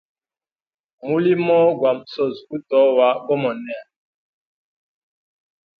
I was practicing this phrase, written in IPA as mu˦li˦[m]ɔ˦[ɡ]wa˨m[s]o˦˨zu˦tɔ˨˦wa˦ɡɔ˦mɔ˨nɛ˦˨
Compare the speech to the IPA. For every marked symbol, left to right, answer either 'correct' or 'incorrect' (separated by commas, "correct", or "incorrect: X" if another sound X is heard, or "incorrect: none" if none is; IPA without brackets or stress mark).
correct, correct, correct